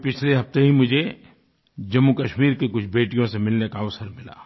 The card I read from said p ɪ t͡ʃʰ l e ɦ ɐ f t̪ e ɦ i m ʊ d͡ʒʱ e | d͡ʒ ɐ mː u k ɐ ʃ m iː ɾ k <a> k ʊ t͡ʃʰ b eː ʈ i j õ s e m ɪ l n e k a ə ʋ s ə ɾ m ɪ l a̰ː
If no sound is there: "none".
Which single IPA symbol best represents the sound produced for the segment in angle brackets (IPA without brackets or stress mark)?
e